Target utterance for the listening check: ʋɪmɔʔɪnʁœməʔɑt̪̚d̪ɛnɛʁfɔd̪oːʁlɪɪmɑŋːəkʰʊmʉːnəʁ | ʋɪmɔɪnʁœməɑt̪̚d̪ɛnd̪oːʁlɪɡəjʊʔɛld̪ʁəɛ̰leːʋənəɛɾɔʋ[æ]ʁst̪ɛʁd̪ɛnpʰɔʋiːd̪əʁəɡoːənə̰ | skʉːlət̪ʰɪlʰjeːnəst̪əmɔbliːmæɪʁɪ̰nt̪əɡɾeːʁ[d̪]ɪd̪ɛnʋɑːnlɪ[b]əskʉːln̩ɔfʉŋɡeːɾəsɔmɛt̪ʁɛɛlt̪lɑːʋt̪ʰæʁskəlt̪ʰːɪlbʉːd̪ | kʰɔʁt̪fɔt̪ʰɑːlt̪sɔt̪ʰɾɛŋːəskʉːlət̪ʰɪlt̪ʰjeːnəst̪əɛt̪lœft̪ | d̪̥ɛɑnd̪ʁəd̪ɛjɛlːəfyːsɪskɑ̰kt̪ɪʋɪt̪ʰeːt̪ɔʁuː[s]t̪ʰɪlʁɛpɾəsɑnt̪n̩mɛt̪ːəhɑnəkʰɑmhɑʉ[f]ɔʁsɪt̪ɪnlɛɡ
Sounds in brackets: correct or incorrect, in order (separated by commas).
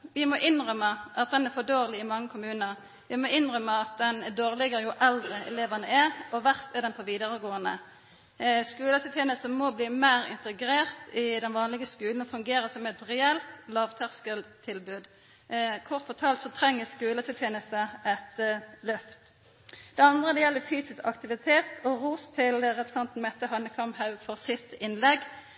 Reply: correct, incorrect, incorrect, correct, correct